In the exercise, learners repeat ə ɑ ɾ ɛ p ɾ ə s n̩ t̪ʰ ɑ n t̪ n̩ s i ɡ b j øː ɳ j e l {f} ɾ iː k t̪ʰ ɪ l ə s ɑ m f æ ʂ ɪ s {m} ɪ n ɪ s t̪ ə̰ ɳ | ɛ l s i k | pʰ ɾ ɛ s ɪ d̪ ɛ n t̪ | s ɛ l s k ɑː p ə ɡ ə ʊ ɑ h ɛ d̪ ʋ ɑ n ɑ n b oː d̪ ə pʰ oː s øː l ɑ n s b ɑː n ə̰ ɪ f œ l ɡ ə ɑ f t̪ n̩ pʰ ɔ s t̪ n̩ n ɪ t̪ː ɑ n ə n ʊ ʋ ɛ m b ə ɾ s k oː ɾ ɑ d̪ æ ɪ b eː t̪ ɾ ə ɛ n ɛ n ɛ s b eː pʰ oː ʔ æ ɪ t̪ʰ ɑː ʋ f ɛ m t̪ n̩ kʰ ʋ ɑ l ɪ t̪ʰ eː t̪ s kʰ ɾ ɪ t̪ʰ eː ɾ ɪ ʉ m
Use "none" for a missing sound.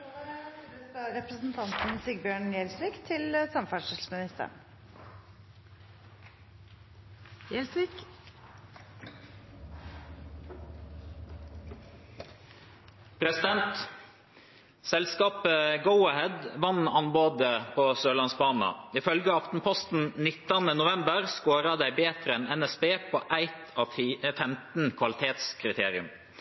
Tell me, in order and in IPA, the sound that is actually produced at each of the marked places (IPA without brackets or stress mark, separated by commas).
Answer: s, m